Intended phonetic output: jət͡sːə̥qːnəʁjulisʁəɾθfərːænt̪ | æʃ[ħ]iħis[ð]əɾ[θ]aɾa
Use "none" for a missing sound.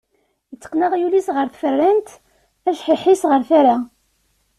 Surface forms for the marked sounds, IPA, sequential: ħ, ʁ, θ

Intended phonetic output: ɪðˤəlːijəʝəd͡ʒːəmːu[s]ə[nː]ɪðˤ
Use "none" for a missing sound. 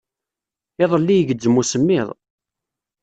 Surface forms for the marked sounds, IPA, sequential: s, mː

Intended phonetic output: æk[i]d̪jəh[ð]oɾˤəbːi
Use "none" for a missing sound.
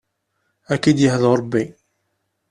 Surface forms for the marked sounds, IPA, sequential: i, ð

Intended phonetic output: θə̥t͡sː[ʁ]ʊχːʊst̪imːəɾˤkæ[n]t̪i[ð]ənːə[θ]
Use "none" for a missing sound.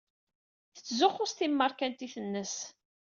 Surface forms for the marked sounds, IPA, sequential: z, n, θ, s

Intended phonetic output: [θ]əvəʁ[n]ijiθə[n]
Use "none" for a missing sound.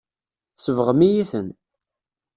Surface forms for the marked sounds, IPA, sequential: s, m, n

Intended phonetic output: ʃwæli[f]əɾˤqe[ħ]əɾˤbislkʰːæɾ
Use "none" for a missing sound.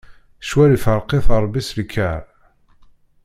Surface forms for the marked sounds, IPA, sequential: f, θ

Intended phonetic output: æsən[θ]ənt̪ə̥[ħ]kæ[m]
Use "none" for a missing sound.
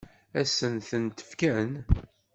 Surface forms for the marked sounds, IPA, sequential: θ, f, n

